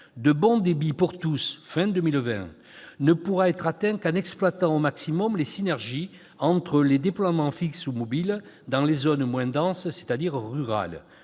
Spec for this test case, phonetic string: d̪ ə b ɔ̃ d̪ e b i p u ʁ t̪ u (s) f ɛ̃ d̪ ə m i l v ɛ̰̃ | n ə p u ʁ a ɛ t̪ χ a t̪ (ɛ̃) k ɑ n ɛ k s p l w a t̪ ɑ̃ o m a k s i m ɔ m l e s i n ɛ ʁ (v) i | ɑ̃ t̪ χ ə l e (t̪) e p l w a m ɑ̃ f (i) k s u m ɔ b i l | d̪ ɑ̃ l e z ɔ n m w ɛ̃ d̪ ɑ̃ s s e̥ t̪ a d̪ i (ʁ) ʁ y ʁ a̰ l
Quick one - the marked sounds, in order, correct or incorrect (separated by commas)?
correct, correct, incorrect, incorrect, correct, correct